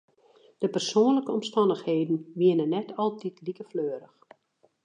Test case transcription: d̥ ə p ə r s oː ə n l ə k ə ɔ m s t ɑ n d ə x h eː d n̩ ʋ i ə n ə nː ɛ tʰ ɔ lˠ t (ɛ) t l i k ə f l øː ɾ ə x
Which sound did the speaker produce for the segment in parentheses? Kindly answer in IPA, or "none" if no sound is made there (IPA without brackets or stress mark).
i